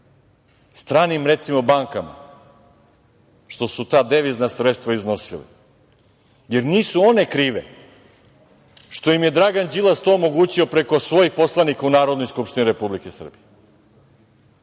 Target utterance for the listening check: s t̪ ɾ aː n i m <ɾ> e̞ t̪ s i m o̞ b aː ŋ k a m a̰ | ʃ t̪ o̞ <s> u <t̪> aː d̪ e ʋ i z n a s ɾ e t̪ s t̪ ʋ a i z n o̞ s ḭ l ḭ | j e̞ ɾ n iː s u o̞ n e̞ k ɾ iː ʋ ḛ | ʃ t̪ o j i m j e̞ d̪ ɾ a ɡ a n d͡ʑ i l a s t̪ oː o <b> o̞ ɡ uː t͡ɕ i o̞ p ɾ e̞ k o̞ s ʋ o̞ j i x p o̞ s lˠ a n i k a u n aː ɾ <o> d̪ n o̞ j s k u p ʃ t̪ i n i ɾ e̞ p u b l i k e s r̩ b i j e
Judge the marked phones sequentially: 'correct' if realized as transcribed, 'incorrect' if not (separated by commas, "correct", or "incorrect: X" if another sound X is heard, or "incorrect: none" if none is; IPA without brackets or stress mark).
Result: correct, correct, correct, incorrect: m, correct